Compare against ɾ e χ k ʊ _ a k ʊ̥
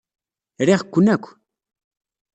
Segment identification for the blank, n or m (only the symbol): n